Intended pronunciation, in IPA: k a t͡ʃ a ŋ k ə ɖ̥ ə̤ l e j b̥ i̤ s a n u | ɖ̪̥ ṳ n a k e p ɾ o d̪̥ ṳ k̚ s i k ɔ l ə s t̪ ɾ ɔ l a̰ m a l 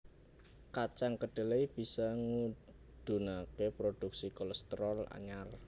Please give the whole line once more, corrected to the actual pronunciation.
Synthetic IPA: k a t͡ʃ a ŋ k ə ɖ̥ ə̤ l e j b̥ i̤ s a ŋ u | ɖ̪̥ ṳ n a k e p ɾ o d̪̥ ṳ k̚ s i k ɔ l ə s t̪ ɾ ɔ l a̰ ɲ a l

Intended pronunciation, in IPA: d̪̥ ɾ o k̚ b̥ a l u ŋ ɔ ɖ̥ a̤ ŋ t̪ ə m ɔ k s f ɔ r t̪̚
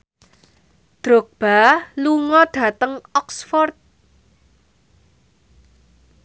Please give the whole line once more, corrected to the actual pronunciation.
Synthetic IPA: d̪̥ ɾ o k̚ b̥ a l u ŋ ɔ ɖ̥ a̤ t̪ ə ŋ ɔ k s f ɔ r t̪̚

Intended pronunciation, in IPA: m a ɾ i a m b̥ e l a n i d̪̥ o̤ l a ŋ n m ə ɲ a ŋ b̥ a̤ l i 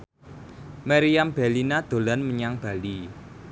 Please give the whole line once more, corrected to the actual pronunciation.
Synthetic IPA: m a ɾ i a m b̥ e l i n a d̪̥ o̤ l a n m ə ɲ a ŋ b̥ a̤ l i

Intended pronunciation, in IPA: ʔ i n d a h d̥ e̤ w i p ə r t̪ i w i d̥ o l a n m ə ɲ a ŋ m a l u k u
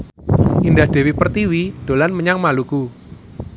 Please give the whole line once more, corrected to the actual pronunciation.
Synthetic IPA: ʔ i n d a h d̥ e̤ w i p ə r t̪ i w i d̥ o l a n m ə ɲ a ŋ m a l u k u

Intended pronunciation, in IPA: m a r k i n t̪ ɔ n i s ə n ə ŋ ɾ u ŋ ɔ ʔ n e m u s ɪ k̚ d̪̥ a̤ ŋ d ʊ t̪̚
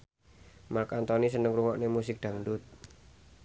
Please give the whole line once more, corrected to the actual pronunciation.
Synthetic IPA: m a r k a n t̪ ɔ n i s ə n ə ŋ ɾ u ŋ ɔ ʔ n e m u s ɪ k̚ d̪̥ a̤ ŋ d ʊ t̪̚

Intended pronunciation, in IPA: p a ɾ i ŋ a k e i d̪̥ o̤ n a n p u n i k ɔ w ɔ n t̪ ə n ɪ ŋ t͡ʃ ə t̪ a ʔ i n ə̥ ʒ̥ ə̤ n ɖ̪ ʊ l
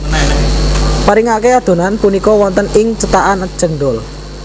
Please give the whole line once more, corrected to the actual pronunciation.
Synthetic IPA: p a ɾ i ŋ a k e a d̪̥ o̤ n a n p u n i k ɔ w ɔ n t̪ ə n ɪ ŋ t͡ʃ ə t̪ a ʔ a n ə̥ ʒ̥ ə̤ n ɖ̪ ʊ l

